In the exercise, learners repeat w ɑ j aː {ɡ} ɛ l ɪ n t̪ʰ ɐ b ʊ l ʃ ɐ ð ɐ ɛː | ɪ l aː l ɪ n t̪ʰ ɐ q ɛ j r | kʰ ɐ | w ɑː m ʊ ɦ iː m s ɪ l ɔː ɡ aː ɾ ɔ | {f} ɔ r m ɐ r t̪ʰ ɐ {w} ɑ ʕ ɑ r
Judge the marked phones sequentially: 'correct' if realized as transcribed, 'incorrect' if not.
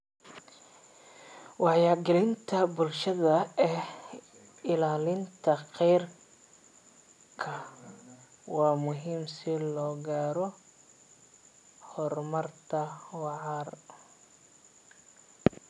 correct, incorrect: h, correct

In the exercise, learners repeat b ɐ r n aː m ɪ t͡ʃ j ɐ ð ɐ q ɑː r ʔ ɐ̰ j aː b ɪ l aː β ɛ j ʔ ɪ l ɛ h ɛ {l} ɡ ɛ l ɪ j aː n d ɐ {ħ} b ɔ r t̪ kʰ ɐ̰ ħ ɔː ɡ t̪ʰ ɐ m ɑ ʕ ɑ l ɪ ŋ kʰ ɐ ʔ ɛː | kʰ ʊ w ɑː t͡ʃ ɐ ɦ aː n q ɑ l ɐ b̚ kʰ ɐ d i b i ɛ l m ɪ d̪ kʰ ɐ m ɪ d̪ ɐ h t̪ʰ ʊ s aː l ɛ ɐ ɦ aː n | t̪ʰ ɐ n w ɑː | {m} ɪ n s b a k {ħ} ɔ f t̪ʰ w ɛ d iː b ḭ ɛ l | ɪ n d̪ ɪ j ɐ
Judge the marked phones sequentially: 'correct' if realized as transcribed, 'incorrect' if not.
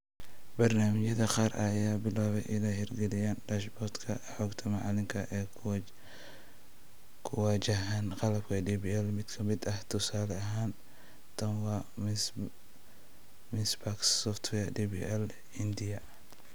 incorrect: r, incorrect: ʃ, correct, incorrect: s

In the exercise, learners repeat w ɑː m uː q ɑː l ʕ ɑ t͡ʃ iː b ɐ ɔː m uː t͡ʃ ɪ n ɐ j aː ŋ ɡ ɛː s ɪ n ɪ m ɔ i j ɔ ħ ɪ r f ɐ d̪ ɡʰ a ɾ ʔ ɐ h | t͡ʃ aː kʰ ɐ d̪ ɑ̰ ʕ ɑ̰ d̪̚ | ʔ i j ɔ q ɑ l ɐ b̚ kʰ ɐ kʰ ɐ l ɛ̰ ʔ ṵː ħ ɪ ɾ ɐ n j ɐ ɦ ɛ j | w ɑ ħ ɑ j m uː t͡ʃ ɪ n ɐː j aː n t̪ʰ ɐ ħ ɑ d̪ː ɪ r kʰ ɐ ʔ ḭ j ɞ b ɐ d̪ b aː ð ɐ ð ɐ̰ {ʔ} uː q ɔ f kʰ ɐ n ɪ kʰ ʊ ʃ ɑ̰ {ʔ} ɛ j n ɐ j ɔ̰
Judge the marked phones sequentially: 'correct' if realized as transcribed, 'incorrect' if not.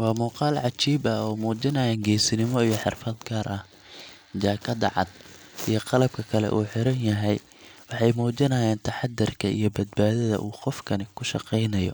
correct, incorrect: q

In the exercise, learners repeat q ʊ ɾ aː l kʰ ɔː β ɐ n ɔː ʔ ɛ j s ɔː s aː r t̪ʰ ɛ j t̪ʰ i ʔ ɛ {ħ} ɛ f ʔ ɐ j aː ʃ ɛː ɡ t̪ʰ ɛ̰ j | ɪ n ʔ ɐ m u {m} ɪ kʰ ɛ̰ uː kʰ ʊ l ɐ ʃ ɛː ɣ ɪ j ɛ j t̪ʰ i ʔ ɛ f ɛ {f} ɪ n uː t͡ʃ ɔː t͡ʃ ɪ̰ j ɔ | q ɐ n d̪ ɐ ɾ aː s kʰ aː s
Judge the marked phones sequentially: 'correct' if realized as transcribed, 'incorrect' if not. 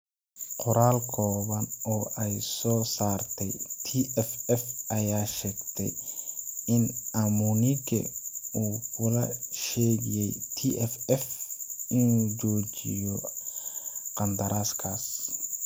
incorrect: f, incorrect: n, correct

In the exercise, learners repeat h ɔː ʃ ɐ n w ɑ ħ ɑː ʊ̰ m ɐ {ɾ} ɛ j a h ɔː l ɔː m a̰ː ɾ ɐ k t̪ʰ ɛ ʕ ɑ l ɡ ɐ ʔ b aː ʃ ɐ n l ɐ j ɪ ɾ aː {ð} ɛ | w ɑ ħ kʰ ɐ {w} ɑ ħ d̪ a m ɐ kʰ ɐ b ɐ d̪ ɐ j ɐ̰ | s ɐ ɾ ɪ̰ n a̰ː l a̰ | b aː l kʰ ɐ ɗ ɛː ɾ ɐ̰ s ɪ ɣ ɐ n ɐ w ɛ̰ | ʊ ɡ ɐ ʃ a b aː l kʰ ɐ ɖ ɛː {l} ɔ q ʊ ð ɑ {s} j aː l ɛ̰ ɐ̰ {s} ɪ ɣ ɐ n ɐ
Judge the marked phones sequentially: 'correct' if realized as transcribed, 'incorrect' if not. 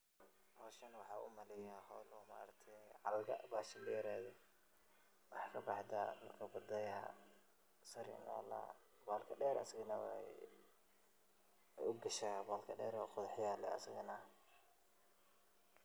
incorrect: l, correct, incorrect: b, incorrect: ɾ, incorrect: ħ, correct

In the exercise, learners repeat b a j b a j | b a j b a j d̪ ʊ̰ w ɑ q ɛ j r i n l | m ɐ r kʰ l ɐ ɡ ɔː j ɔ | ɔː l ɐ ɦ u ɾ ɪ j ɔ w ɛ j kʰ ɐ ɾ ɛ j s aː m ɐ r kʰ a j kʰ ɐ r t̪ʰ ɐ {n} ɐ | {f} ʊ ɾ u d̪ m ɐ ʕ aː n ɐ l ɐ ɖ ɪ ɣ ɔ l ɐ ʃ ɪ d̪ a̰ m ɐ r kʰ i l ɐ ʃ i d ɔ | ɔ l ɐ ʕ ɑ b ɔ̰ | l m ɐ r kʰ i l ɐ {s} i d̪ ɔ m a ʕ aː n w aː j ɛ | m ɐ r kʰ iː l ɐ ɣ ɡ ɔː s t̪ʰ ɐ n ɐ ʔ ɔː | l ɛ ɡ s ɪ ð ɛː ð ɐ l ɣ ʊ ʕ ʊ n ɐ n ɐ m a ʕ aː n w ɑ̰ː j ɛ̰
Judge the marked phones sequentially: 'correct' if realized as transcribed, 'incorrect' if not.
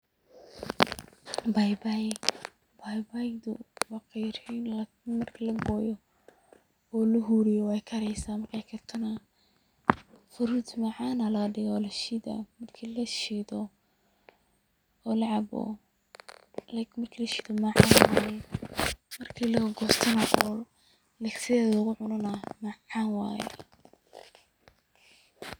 correct, correct, incorrect: ʃ

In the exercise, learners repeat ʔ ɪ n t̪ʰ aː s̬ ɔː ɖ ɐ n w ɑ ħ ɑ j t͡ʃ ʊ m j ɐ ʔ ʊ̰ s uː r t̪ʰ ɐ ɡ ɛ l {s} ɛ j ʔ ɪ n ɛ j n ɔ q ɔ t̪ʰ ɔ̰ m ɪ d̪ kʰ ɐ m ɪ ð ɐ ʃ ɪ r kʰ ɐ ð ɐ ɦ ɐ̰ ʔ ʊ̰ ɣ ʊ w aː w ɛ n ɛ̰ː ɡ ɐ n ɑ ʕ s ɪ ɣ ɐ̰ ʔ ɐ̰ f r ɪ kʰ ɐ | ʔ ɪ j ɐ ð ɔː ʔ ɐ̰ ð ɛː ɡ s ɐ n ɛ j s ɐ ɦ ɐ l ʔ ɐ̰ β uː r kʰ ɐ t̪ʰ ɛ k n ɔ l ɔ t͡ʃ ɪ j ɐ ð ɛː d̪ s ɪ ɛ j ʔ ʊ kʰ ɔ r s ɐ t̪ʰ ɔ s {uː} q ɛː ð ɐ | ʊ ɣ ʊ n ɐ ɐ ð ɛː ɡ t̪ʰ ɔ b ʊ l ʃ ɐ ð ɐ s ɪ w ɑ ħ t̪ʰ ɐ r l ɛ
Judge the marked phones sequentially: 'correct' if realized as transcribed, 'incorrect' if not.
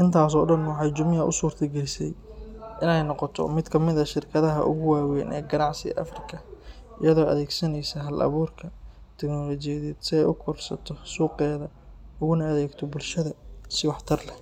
correct, correct

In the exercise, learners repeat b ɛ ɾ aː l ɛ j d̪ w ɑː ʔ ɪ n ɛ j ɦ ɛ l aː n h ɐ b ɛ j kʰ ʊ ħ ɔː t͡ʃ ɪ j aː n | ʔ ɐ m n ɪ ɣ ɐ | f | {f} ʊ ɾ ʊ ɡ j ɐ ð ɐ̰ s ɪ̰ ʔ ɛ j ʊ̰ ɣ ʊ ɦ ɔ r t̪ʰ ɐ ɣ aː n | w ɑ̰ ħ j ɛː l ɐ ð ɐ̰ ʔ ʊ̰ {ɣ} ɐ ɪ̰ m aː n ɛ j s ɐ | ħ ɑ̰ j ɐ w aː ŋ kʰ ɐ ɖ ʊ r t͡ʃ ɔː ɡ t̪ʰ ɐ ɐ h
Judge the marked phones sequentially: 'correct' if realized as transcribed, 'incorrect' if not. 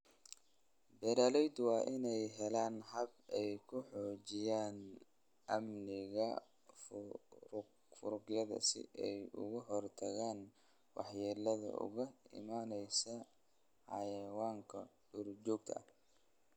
correct, correct

